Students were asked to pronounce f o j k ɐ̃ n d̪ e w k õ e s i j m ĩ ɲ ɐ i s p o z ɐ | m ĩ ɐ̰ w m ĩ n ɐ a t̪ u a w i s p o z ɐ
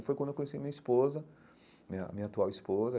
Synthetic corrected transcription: f o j k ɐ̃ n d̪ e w k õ e s i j m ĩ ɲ ɐ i s p o z ɐ | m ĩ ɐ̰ m ĩ ɲ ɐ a t̪ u a w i s p o z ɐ